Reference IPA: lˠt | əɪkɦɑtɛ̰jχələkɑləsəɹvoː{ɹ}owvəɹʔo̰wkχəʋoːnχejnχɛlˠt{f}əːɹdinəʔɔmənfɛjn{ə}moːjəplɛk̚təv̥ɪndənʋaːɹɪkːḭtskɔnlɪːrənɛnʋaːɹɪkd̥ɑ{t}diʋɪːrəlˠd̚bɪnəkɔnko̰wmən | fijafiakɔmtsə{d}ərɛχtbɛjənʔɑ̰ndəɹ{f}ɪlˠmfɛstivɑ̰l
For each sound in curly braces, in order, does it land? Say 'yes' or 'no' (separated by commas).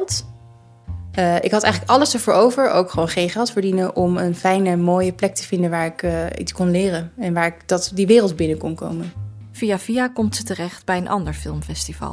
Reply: yes, yes, yes, yes, no, yes